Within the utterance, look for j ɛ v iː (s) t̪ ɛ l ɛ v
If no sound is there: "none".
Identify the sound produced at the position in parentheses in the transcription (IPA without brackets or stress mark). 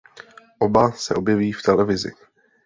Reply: f